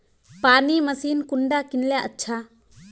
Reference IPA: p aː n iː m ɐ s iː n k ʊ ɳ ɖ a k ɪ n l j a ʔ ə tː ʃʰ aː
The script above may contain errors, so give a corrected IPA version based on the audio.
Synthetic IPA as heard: p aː n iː m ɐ s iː n k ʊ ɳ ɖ a k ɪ n l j a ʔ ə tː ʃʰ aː